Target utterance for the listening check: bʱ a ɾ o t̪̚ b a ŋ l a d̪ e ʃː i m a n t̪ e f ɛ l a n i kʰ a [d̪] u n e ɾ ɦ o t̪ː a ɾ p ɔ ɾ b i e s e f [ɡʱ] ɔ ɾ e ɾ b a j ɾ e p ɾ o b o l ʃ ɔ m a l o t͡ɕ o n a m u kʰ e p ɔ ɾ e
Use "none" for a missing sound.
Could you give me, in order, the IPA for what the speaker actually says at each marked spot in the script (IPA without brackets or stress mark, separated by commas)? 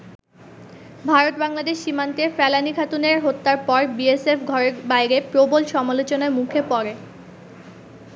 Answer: t̪, ɡʱ